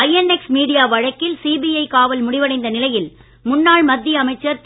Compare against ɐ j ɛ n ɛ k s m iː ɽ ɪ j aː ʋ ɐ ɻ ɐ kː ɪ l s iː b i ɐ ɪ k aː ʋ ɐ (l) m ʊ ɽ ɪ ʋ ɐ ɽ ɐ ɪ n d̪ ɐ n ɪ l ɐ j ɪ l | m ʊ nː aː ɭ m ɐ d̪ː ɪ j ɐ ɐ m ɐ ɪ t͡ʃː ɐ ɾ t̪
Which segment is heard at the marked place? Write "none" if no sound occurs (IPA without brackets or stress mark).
l